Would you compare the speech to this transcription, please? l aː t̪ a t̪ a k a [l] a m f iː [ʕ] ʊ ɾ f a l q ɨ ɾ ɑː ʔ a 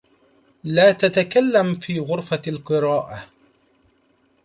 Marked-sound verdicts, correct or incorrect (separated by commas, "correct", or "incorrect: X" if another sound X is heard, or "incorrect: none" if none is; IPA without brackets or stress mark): incorrect: lː, incorrect: ɣ